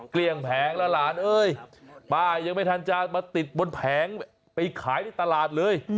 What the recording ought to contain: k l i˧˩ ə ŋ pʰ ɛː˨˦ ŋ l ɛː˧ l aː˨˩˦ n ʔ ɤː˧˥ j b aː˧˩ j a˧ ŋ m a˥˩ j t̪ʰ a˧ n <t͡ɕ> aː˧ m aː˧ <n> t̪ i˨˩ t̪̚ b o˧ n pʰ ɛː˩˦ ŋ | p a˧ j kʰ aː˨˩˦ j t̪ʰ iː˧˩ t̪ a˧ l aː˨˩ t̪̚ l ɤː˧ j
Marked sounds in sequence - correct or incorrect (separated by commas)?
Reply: correct, incorrect